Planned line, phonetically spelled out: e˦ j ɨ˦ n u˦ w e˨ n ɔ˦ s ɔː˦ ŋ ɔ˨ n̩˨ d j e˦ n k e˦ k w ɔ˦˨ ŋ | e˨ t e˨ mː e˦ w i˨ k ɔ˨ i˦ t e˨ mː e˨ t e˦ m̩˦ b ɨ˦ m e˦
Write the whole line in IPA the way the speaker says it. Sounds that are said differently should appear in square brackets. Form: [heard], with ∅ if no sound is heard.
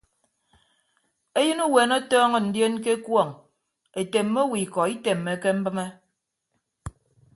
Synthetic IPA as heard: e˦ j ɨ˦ n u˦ w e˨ n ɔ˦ [t] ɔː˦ ŋ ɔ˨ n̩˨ d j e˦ n k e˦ k w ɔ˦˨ ŋ | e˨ t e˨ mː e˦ w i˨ k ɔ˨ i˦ t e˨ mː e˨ [k] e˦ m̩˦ b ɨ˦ m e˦